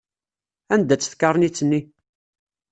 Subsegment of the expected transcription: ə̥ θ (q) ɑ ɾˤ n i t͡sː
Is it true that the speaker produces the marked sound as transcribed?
no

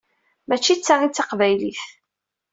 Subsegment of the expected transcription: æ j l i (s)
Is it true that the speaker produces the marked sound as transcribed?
no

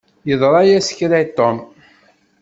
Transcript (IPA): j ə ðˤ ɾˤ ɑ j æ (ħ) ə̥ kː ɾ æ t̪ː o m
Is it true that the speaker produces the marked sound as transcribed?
no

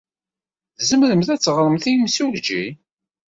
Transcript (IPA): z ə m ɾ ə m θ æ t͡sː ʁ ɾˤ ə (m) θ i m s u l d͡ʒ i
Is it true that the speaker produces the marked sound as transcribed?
yes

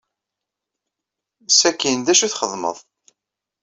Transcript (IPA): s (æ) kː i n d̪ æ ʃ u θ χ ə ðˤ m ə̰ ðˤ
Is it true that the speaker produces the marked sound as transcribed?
yes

